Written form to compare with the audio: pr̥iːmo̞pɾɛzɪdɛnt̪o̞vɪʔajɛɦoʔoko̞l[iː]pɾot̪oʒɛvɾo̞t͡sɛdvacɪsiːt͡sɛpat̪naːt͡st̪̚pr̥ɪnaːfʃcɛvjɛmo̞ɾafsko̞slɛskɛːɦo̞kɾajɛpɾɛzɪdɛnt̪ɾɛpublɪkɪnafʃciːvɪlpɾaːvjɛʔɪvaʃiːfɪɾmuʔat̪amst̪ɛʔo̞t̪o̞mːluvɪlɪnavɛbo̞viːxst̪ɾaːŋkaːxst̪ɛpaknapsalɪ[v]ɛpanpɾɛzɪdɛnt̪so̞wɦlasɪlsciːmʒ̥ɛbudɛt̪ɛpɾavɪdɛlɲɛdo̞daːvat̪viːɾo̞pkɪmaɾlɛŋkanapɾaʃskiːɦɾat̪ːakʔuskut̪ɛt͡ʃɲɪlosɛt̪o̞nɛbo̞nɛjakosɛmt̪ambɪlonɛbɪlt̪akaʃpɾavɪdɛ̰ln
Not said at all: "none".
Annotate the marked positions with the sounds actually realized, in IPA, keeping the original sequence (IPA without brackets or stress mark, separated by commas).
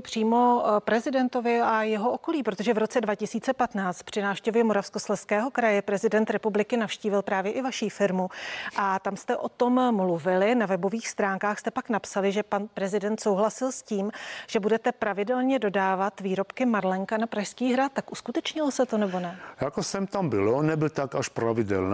iː, ʒ